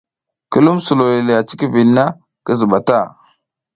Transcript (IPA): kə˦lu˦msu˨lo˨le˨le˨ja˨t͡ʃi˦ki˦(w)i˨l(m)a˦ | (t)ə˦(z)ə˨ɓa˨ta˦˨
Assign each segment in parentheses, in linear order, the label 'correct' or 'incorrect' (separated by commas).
incorrect, incorrect, incorrect, correct